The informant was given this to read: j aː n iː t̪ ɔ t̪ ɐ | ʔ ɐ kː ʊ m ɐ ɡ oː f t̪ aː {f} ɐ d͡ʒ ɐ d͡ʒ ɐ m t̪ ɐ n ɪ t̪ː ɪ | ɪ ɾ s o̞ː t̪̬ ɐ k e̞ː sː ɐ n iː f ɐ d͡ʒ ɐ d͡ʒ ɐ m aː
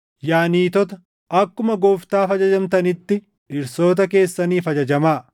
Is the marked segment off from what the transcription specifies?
no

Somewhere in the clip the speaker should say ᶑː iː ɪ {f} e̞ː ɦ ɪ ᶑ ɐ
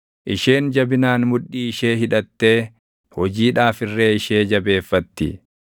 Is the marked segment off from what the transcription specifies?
yes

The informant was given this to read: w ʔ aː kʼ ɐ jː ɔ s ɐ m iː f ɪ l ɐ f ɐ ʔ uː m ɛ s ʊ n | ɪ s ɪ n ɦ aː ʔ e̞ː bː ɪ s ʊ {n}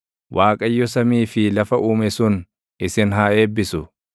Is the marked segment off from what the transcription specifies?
yes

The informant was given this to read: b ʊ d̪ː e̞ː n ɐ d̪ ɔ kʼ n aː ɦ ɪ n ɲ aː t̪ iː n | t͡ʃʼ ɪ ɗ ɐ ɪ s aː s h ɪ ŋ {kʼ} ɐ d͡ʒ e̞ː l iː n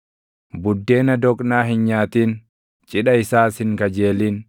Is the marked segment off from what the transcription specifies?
yes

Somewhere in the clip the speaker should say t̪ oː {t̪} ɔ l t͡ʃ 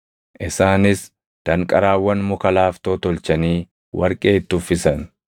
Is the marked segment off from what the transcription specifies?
no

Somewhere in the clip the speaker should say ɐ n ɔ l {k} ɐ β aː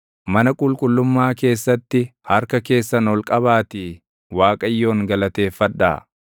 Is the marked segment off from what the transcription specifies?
yes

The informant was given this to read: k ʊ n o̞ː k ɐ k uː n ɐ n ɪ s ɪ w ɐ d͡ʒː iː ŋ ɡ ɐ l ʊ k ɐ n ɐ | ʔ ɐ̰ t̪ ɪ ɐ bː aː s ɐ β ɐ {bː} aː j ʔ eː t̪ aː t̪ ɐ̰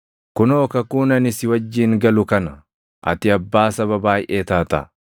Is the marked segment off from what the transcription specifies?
yes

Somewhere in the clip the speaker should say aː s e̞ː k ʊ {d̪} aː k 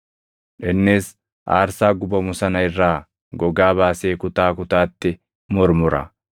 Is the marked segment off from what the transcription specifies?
yes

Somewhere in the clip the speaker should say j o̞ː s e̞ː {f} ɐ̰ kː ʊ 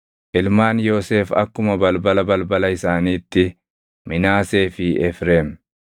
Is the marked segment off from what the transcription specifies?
no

